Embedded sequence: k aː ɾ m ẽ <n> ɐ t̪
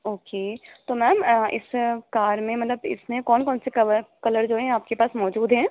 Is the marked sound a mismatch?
yes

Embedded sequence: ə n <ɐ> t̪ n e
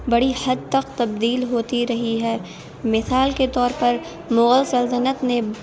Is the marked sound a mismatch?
yes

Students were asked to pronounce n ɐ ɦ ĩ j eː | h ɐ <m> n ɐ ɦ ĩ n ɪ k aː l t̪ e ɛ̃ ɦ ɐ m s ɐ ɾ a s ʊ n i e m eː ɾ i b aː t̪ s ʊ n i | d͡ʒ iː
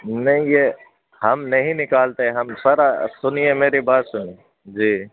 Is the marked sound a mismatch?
no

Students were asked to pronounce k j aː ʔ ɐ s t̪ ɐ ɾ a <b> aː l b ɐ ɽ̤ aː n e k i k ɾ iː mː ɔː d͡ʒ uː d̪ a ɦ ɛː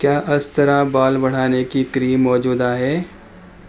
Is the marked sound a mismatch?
no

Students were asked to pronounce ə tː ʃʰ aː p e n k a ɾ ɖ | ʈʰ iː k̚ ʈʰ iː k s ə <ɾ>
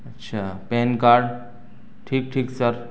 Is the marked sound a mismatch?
no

